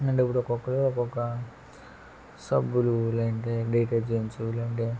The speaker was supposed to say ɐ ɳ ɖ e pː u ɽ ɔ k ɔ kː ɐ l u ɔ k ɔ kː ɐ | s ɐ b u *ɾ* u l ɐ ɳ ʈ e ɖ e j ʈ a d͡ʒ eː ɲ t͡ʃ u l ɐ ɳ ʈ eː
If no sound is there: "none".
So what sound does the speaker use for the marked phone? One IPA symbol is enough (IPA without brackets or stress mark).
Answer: l